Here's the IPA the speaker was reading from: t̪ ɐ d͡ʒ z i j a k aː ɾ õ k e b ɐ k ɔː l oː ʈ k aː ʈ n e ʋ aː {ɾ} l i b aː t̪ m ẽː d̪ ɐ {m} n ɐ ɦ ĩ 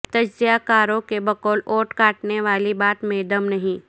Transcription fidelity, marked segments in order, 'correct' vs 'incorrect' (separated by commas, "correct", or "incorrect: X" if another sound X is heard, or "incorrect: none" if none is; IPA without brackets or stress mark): incorrect: none, correct